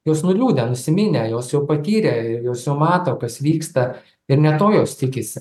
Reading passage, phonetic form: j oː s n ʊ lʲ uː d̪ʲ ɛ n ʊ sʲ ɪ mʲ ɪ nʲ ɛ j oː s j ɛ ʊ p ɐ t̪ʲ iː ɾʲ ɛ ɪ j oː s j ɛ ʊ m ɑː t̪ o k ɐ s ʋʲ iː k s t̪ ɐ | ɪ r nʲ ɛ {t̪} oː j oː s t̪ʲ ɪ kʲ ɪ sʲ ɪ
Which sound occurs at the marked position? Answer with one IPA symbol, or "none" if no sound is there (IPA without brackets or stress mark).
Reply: t̪